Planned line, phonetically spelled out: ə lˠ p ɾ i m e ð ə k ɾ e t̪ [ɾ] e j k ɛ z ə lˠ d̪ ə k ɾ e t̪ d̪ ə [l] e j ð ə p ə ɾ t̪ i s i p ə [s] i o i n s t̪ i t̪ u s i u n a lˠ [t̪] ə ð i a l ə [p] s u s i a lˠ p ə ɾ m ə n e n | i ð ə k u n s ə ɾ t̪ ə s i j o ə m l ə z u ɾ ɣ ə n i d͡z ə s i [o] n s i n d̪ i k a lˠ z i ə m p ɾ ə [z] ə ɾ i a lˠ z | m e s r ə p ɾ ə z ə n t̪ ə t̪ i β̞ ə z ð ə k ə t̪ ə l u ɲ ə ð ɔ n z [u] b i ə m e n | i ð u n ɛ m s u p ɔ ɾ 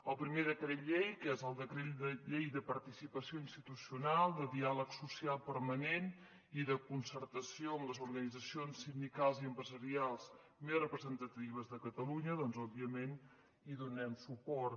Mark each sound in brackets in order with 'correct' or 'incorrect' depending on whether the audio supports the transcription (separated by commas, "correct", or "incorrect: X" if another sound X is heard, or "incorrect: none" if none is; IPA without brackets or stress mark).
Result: incorrect: ʎ, incorrect: ʎ, correct, incorrect: d̪, incorrect: k, correct, correct, incorrect: ɔ